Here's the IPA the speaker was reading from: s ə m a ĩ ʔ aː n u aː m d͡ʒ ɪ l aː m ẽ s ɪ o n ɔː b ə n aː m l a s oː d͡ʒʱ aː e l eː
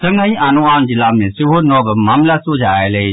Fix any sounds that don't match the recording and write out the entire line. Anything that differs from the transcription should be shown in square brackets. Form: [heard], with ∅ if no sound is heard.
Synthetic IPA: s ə [ŋ] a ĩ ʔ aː n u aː [n] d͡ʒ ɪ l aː m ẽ s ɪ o n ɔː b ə [m] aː m l a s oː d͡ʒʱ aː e l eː